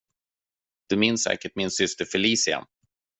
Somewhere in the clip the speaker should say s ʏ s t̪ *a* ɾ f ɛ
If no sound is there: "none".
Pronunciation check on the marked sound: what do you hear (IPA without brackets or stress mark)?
ə